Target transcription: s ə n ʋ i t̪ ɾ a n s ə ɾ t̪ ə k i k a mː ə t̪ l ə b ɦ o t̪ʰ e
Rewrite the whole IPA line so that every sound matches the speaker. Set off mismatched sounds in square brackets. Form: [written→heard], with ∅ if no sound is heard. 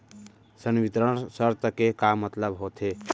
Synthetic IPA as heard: s ə n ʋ i t̪ ɾ [a→ə] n s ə ɾ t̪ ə k [i→e] k a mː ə t̪ l ə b ɦ o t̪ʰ e